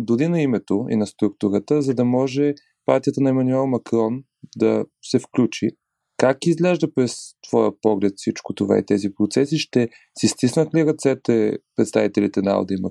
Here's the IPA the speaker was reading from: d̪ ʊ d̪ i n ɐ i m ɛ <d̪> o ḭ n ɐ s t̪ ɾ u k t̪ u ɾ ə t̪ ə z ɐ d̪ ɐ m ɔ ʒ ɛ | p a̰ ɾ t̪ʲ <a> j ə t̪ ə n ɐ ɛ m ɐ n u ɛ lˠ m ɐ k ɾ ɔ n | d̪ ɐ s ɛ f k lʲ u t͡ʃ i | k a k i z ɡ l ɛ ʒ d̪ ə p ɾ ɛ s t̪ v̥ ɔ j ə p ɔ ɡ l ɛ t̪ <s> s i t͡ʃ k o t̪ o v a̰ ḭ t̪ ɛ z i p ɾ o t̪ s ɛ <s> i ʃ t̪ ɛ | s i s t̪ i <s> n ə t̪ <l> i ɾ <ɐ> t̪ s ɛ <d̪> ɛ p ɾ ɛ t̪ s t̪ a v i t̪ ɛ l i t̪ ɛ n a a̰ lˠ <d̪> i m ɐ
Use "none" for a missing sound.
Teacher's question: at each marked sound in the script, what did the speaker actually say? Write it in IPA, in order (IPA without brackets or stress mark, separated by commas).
t̪, i, f, s, s, l, ɐ, t̪, d̪